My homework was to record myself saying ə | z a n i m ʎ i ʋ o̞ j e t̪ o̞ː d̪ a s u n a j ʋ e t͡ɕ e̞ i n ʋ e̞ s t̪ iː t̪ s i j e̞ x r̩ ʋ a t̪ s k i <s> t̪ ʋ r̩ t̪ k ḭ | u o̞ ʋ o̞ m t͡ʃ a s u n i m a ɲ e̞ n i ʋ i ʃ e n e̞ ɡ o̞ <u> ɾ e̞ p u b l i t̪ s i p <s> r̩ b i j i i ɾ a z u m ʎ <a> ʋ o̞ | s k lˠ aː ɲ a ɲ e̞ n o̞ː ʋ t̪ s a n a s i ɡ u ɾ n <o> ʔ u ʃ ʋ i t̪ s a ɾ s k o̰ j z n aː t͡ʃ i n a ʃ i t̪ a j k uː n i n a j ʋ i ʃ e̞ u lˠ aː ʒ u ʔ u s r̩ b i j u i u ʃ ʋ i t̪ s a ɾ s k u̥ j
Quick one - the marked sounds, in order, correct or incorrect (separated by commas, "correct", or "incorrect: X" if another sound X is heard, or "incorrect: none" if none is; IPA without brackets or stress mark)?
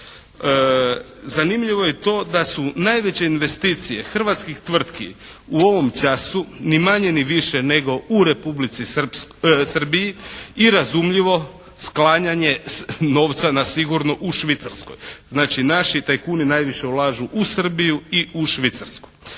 incorrect: x, correct, correct, incorrect: i, correct